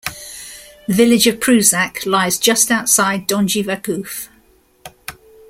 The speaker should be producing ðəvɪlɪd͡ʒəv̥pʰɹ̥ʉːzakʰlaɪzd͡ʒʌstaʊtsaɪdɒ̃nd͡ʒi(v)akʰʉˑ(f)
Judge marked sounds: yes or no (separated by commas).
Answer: yes, yes